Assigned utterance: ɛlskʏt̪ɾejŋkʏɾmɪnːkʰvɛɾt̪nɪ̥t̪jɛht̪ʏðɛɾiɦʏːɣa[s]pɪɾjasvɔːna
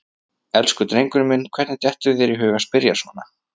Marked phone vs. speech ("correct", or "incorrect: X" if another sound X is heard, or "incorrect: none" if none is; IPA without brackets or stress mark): correct